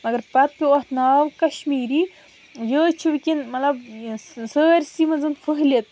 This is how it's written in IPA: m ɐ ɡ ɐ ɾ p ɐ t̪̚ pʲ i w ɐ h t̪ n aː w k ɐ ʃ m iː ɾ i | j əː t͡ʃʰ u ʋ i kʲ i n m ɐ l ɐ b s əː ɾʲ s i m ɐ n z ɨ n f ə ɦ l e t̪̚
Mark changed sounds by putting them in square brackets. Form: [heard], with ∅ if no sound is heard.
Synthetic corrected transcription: m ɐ ɡ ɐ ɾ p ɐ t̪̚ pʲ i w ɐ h t̪ n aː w k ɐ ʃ m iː ɾ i | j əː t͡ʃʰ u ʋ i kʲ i n m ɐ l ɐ b s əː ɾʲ s i m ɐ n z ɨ n f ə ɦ l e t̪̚